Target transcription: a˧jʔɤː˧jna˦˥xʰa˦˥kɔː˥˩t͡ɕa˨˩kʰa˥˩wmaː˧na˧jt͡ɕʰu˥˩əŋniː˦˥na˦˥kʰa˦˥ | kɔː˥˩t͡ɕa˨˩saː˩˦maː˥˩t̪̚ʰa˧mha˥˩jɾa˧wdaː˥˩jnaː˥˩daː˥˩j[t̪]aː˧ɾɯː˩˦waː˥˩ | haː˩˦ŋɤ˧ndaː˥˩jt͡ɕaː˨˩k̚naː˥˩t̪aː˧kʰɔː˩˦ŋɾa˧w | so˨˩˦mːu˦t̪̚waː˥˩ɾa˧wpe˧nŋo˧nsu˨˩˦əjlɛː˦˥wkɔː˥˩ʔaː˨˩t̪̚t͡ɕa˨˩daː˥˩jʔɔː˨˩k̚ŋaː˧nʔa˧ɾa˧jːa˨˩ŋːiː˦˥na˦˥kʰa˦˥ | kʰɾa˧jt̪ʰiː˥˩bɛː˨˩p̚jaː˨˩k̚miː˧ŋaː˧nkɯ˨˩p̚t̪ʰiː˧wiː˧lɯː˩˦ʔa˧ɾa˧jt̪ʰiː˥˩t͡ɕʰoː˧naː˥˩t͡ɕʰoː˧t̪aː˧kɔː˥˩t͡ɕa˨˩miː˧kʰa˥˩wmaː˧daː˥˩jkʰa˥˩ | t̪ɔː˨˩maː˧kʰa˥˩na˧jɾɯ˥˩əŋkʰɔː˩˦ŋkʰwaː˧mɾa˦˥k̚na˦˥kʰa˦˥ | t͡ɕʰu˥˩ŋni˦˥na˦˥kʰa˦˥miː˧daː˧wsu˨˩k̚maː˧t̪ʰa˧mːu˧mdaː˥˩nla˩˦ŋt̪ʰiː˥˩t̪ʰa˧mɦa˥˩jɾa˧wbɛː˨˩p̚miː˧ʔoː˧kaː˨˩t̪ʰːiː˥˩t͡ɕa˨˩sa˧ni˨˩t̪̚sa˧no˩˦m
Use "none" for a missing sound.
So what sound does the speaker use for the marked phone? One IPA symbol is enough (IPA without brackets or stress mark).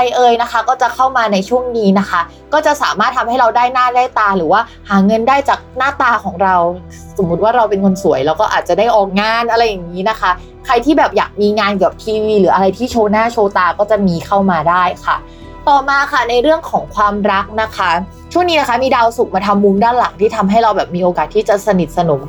t̪